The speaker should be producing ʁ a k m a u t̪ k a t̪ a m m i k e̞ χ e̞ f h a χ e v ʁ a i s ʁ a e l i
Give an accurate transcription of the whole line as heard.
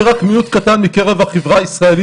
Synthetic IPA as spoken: ʁ a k m i u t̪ k a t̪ a n m i k e̞ ʁ e̞ v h a χ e v ʁ a i s ʁ a e l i